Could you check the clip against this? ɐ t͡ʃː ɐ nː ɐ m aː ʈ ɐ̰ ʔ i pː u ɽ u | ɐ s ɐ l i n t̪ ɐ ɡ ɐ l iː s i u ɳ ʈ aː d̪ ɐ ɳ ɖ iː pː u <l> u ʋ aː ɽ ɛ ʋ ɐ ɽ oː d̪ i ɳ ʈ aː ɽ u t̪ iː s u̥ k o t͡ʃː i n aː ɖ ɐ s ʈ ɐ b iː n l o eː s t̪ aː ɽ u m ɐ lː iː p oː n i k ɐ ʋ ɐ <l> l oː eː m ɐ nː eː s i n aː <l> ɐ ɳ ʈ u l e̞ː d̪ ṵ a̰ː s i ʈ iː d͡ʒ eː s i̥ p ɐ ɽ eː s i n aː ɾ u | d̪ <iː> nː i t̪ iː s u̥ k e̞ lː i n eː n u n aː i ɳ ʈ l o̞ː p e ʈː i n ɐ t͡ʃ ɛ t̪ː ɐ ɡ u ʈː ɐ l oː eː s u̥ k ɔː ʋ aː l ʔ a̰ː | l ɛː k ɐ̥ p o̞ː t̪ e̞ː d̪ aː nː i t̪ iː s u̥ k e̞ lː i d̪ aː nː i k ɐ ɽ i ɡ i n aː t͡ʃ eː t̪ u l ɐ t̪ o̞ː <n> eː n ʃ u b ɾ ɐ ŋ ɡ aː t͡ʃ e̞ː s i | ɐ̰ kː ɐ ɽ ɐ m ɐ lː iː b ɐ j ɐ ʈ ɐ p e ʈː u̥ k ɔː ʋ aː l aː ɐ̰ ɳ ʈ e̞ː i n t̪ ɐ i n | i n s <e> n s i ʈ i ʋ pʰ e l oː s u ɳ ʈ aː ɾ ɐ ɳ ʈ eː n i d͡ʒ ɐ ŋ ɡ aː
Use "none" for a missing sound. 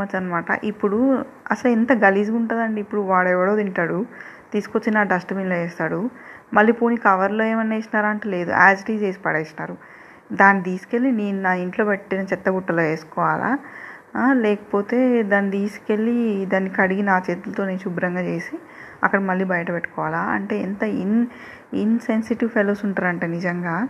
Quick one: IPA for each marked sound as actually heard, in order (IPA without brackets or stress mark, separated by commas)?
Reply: ɽ, ɾ, ɾ, aː, n, e